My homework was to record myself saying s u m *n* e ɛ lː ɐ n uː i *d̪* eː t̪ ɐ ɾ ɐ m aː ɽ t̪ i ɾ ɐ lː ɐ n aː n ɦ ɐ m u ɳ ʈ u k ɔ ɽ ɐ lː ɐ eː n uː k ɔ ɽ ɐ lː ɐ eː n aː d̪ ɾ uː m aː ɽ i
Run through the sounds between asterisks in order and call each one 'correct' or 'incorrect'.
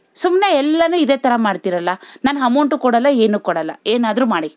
correct, correct

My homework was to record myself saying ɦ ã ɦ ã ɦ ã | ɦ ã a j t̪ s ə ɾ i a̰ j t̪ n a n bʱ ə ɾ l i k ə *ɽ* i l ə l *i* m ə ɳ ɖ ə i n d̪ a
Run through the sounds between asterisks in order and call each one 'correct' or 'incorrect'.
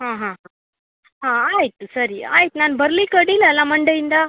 correct, incorrect

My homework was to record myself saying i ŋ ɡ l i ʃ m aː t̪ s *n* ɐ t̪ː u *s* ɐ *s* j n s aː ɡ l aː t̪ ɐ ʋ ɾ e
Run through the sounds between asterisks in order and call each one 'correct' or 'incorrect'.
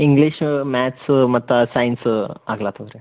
incorrect, correct, incorrect

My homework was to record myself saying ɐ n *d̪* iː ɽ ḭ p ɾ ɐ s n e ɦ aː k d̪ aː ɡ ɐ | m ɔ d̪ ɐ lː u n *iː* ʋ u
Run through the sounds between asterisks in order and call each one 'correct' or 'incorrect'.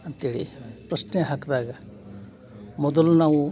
incorrect, incorrect

